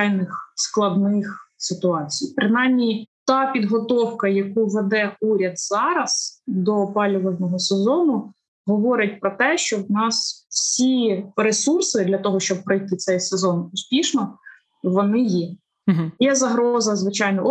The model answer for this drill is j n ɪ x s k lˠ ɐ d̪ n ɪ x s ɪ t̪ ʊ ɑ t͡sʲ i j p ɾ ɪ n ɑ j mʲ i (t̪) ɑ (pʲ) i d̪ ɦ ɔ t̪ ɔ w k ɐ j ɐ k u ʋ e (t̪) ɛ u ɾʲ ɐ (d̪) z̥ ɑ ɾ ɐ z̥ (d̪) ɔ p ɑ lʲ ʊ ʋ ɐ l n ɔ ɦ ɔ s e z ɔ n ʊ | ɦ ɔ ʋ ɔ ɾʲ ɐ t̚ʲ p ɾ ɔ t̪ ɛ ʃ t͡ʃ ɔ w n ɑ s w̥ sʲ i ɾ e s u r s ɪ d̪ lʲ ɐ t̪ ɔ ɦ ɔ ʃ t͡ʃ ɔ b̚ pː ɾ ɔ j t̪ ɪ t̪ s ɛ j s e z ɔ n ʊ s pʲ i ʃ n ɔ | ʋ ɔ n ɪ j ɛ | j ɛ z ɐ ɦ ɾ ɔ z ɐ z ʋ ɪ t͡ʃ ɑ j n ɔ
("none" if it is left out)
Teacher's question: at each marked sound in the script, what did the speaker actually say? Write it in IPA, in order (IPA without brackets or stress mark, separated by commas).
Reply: t̪, pʲ, d̪, d̪, d̪